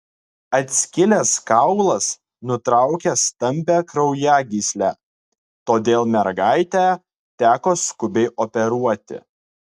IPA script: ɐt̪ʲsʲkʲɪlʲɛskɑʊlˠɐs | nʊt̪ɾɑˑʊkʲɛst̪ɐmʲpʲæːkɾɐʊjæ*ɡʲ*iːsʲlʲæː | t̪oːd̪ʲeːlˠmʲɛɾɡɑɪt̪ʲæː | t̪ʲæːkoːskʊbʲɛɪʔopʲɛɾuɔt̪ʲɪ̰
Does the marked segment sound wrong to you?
no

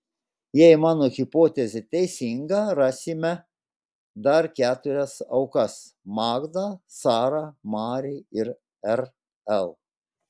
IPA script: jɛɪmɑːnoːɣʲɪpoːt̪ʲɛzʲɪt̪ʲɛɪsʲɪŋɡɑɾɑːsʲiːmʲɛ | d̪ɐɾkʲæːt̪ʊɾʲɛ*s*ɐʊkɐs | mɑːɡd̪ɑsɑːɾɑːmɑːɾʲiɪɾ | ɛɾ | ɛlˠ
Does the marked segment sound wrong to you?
no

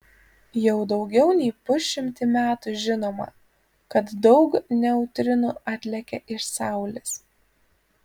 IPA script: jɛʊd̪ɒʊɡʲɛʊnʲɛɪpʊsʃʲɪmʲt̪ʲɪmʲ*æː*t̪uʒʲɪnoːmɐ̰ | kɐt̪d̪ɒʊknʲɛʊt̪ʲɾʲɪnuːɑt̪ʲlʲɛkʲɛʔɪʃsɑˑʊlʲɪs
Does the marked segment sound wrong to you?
no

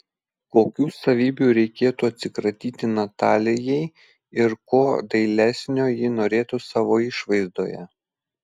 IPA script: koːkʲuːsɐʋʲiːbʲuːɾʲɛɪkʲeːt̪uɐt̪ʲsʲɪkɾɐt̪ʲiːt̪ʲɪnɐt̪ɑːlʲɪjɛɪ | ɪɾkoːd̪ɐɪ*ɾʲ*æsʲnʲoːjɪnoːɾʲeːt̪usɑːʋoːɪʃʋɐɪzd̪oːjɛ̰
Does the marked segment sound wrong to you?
yes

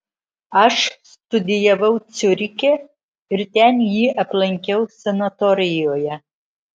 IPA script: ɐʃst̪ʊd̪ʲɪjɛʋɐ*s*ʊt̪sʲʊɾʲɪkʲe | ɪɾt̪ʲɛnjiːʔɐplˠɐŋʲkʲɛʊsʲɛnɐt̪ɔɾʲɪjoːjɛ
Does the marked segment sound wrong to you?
yes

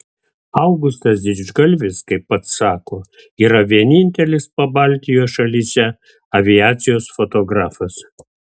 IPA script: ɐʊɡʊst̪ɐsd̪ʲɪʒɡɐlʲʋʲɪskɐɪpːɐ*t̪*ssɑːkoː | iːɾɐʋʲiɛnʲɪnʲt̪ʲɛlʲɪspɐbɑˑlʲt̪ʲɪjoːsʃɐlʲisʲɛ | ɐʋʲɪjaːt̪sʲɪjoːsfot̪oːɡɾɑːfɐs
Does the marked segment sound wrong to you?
no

